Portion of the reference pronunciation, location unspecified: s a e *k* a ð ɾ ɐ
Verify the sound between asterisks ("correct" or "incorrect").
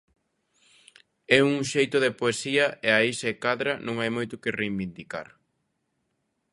correct